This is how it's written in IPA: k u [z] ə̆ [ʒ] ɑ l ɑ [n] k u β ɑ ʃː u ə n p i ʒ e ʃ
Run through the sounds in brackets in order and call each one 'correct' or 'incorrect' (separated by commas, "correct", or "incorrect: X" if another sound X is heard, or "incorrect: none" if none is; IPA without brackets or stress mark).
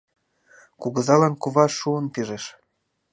incorrect: ɣ, incorrect: z, correct